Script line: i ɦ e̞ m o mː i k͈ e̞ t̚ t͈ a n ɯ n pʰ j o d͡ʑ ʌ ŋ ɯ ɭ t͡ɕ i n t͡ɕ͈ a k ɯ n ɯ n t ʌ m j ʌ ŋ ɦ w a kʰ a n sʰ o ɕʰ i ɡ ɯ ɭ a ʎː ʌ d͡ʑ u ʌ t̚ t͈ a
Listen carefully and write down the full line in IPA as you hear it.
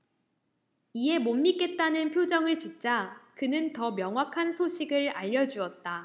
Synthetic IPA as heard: i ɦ e̞ m o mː i k͈ e̞ t̚ t͈ a n ɯ n pʰ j o d͡ʑ ʌ ŋ ɯ ɭ t͡ɕ i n t͡ɕ͈ a k ɯ n ɯ n t ʌ m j ʌ ŋ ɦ w a kʰ a n sʰ o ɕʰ i ɡ ɯ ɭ a ʎː ʌ d͡ʑ u ʌ t̚ t͈ a